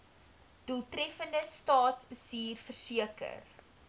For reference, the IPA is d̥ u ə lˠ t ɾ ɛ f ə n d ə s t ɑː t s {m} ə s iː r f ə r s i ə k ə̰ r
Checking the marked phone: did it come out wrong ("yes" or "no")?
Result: yes